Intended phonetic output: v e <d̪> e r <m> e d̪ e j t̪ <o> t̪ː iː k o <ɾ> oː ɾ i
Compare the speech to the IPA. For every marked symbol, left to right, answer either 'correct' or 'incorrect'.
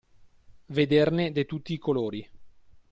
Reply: correct, incorrect: n, incorrect: u, incorrect: l

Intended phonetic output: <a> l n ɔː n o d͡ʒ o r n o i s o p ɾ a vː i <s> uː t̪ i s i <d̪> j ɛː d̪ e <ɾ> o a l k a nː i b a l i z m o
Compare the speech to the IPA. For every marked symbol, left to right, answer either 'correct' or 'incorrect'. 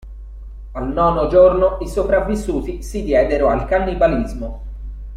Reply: correct, incorrect: sː, correct, correct

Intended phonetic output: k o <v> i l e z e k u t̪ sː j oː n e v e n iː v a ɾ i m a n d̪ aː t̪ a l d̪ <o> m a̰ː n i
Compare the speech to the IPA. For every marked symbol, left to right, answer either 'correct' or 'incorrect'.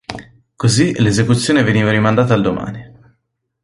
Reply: incorrect: z, correct

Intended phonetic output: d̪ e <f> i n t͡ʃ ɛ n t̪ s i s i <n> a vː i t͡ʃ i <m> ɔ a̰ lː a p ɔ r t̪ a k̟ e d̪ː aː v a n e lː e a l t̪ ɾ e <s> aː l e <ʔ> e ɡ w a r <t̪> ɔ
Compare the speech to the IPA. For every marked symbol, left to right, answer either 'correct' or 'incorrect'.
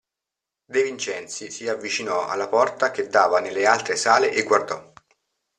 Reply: incorrect: v, incorrect: none, incorrect: n, correct, correct, incorrect: d̪

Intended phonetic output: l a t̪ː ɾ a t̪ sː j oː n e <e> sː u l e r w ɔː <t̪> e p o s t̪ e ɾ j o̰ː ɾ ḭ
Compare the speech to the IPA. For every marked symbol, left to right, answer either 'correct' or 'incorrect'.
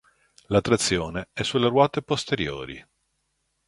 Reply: incorrect: ɛ, correct

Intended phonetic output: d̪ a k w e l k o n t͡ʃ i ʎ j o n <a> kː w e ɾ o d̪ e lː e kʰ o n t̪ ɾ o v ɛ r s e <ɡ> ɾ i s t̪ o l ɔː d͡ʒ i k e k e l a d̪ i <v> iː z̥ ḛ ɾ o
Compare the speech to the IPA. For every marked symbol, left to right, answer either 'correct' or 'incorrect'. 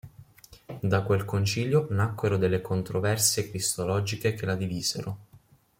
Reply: correct, incorrect: k, correct

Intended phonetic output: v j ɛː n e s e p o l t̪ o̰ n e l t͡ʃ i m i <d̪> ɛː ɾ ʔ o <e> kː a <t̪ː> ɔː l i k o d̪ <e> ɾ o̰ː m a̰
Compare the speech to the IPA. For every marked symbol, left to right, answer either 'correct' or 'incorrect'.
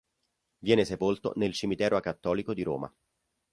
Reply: incorrect: t̪, incorrect: a, correct, incorrect: i

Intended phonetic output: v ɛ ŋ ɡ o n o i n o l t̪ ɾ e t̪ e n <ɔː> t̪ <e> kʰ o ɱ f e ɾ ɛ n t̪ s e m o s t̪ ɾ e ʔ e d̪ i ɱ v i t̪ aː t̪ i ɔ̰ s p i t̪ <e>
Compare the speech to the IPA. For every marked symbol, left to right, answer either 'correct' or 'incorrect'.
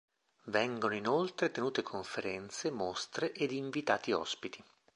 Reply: incorrect: uː, correct, incorrect: i

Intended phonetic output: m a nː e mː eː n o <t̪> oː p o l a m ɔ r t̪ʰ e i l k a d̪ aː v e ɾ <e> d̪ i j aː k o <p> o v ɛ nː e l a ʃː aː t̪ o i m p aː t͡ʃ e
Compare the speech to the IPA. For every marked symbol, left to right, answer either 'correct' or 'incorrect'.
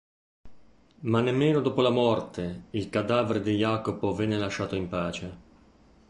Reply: incorrect: d̪, correct, correct

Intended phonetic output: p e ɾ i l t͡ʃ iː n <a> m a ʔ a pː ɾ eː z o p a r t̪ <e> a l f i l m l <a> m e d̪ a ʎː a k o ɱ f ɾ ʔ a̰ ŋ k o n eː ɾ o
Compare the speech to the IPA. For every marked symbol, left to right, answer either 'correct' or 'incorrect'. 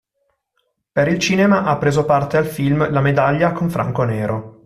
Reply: incorrect: e, correct, correct

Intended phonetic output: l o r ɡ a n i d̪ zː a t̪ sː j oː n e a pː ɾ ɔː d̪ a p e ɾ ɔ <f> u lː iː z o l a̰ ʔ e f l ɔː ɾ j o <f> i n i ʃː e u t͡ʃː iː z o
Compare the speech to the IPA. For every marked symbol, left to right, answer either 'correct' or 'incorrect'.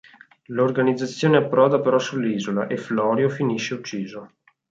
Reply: incorrect: s, correct

